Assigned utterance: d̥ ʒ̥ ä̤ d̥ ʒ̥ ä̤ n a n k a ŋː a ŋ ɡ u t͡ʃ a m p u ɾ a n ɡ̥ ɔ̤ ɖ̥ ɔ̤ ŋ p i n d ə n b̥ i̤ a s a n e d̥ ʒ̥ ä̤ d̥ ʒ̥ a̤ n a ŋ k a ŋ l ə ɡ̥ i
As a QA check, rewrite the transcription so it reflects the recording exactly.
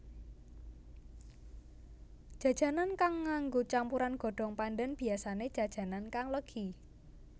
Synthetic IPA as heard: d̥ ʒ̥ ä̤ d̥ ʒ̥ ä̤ n a n k a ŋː a ŋ ɡ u t͡ʃ a m p u ɾ a n ɡ̥ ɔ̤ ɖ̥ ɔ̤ ŋ p a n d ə n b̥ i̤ a s a n e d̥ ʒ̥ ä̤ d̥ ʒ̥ a̤ n a n k a ŋ l ə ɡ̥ i